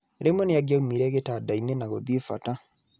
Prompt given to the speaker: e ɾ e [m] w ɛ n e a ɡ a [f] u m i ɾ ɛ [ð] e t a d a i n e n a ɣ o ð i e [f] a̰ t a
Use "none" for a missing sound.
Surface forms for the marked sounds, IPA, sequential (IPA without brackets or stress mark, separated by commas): m, none, ɣ, f